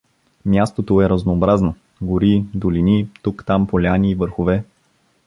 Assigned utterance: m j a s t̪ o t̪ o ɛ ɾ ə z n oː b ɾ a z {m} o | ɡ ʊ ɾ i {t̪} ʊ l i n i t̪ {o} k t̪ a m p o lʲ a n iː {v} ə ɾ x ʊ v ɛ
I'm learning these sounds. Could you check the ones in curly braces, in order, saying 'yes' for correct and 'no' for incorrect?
no, no, no, yes

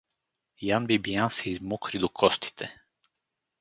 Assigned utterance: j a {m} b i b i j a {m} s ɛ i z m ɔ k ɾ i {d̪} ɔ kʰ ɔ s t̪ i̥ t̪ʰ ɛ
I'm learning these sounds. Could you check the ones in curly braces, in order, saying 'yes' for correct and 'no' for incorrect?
no, no, yes

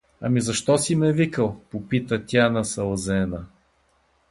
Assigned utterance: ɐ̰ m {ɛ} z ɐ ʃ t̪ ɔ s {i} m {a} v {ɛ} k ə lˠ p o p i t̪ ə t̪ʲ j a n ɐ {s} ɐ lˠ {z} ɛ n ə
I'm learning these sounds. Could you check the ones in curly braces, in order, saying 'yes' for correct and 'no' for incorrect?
no, yes, no, no, yes, yes

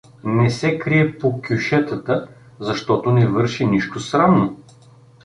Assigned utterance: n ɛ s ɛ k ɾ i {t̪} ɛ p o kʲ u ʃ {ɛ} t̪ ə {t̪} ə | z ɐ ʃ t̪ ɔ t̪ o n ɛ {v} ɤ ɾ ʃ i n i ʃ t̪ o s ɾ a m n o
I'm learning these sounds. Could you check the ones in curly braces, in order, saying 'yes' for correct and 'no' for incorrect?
no, yes, yes, yes

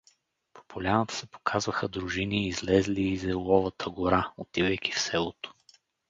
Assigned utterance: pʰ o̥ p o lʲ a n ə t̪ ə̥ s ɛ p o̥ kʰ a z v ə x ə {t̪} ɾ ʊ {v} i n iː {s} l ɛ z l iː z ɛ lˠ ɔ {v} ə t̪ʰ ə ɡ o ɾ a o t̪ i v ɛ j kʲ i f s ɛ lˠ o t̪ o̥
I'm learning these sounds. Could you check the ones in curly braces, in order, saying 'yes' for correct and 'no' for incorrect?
no, no, no, yes

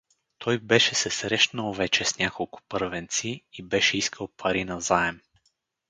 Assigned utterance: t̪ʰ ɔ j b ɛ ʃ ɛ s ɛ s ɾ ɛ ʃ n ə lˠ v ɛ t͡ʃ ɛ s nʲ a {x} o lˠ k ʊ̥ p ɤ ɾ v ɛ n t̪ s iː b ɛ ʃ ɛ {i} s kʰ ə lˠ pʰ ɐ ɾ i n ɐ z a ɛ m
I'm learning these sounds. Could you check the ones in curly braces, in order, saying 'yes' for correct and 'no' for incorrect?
no, yes

